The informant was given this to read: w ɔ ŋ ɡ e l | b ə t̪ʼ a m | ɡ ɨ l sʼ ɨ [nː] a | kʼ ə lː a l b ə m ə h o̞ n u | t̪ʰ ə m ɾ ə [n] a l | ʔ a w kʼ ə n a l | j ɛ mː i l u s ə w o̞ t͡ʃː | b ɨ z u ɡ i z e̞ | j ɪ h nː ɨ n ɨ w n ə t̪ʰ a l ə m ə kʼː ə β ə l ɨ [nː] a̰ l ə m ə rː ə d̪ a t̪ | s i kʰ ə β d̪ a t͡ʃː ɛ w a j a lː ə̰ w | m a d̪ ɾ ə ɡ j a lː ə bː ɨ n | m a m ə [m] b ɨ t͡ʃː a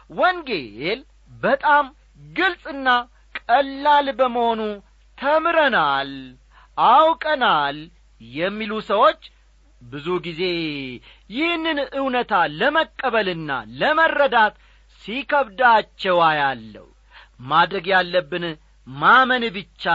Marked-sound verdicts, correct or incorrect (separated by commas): correct, correct, correct, incorrect